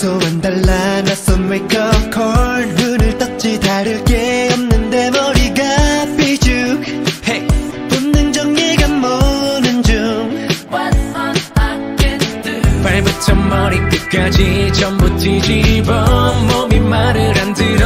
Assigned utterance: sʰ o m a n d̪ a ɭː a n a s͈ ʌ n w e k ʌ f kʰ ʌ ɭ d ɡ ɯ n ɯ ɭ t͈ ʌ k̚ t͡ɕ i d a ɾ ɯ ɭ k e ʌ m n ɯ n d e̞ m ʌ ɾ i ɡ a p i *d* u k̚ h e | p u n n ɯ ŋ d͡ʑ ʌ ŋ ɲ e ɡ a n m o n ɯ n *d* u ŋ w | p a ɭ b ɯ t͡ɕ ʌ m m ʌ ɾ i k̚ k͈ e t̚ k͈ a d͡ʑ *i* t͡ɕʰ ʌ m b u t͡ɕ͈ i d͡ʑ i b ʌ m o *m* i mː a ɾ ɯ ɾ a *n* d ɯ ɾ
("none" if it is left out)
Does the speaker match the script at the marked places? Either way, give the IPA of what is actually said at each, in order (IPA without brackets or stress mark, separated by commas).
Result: d͡ʑ, d͡ʑ, i, m, n